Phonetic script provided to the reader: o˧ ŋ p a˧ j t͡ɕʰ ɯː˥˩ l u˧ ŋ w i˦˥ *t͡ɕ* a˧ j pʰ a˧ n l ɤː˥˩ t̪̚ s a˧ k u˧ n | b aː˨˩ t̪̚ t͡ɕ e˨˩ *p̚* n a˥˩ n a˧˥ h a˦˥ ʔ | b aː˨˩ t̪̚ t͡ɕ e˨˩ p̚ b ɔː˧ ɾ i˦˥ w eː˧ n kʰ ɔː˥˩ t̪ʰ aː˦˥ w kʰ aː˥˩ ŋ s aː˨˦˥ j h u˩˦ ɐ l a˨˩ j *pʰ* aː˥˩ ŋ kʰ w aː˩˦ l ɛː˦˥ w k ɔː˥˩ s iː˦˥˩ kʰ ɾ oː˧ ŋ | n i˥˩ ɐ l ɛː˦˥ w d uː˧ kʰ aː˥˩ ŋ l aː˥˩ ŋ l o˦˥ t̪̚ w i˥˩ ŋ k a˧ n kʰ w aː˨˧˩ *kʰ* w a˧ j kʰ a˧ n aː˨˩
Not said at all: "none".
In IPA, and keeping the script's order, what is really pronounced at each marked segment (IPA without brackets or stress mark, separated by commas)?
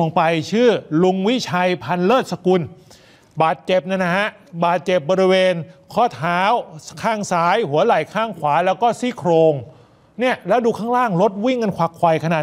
t͡ɕʰ, p̚, kʰ, kʰ